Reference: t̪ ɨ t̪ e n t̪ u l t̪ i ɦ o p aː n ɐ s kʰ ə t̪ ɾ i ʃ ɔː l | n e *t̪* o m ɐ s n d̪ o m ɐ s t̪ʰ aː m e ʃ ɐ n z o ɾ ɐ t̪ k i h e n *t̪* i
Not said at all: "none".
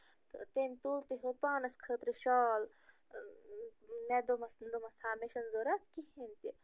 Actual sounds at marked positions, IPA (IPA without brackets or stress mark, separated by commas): d̪, t̪